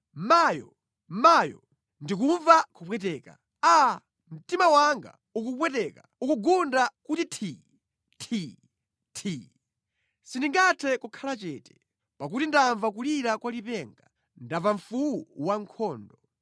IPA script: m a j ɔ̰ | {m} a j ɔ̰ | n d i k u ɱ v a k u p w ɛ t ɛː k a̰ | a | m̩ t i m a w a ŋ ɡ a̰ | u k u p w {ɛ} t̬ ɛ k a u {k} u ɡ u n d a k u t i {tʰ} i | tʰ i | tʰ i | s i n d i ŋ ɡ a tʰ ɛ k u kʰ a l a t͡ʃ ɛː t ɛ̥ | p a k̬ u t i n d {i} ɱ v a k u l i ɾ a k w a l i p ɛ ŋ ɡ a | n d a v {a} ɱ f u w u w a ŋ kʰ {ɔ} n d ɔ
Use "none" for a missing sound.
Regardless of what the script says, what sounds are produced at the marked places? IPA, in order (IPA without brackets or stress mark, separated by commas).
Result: m, ɛ, k, tʰ, a, a, ɔː